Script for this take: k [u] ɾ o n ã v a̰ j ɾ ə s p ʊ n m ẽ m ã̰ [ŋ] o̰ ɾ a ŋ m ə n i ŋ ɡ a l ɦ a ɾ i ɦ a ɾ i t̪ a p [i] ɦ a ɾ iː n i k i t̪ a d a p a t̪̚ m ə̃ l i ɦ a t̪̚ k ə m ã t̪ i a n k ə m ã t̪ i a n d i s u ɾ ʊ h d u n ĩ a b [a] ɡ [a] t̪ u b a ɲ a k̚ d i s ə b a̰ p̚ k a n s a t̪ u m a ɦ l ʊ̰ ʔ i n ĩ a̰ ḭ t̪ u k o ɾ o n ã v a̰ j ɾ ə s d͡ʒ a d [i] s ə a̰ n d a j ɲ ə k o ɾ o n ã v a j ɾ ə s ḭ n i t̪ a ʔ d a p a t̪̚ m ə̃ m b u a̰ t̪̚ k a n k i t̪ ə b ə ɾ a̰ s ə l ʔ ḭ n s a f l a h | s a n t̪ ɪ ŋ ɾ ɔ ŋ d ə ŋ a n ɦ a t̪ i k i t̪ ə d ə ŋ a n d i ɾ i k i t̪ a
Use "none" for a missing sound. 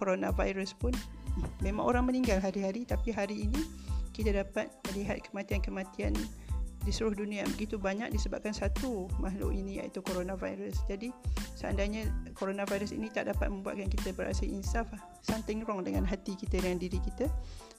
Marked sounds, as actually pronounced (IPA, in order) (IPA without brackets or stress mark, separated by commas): o, ŋ, i, ə, i, i